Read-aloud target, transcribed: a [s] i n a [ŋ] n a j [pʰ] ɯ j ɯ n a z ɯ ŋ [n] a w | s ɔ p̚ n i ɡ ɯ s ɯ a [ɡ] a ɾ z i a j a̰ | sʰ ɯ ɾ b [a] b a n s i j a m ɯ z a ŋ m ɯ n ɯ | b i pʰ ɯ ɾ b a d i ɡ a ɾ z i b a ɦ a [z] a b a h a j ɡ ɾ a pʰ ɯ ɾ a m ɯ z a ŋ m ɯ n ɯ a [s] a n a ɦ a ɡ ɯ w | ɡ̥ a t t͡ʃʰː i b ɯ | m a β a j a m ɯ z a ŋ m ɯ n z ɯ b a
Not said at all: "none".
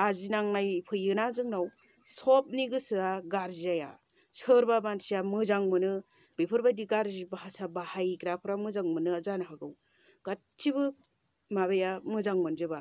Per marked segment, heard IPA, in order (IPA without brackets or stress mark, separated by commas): z, ŋ, pʰ, n, ɡ, a, s, z